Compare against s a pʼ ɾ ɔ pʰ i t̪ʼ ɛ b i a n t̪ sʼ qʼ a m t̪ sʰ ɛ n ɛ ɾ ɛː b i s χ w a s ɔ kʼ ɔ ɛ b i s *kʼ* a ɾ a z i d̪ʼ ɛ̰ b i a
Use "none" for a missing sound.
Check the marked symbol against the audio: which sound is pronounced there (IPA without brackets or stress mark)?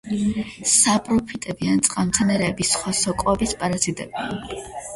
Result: pʼ